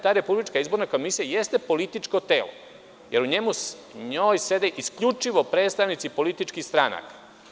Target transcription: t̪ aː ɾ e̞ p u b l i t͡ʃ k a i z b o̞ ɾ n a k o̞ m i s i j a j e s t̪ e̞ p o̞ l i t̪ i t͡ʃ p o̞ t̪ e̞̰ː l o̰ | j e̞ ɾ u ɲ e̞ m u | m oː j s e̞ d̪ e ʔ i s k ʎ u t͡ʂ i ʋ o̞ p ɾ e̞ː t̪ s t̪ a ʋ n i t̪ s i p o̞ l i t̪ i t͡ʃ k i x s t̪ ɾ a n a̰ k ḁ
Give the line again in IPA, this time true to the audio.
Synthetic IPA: t̪ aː ɾ e̞ p u b l i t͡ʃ k a i z b o̞ ɾ n a k o̞ m i s i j a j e s t̪ e̞ p o̞ l i t̪ i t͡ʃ k o̞ t̪ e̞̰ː l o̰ | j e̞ ɾ u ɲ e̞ m u | ɲ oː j s e̞ d̪ e ʔ i s k ʎ u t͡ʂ i ʋ o̞ p ɾ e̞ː t̪ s t̪ a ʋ n i t̪ s i p o̞ l i t̪ i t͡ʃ k i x s t̪ ɾ a n a̰ k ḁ